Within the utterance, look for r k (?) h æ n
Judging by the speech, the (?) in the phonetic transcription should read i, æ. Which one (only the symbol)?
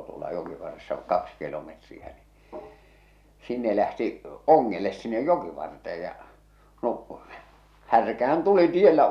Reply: æ